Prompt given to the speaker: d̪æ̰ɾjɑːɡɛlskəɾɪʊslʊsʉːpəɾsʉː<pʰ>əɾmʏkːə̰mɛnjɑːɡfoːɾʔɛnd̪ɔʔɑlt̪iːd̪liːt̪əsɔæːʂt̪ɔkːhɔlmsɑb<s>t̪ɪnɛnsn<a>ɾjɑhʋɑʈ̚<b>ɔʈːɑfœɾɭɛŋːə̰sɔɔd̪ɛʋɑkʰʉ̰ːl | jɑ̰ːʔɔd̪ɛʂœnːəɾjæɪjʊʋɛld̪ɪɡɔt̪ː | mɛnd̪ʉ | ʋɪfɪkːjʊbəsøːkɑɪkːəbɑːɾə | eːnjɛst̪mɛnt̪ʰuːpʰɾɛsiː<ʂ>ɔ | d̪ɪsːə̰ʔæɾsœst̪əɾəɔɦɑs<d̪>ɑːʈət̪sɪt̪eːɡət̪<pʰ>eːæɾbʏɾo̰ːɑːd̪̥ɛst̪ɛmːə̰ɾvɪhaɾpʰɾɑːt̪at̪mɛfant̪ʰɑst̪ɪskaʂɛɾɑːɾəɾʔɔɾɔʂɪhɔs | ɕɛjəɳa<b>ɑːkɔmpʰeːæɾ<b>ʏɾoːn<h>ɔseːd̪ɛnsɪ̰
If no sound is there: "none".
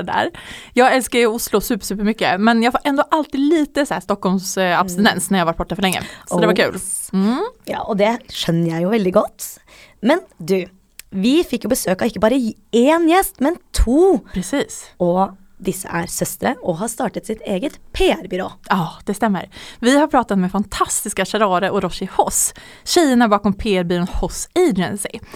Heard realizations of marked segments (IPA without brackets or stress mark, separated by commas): p, s, æ, b, s, t̪, pʰ, b, b, h